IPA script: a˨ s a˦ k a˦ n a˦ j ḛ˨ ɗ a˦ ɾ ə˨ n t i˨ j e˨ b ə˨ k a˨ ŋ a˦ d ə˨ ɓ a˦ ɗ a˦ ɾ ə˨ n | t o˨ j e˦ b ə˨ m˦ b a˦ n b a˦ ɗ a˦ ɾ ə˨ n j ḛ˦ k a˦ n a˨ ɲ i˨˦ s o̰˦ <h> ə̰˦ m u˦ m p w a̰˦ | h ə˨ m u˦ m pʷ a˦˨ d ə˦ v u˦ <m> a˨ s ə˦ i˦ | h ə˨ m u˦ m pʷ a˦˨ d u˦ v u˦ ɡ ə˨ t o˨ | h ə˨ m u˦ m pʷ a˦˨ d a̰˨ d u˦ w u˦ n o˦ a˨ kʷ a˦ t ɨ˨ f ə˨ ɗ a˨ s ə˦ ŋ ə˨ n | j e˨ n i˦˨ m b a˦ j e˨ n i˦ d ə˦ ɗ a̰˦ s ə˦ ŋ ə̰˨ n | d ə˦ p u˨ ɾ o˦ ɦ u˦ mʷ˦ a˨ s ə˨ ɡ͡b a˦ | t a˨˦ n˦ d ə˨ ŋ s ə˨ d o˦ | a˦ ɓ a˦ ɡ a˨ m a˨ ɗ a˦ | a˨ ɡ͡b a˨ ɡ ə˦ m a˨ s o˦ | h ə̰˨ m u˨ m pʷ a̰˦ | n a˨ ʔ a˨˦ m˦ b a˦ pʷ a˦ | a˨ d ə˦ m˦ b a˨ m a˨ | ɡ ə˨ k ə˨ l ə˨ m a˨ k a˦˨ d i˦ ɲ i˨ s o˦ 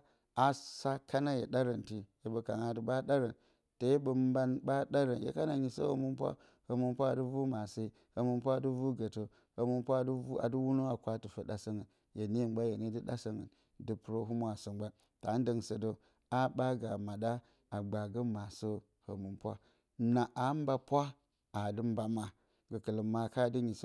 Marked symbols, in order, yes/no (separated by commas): yes, yes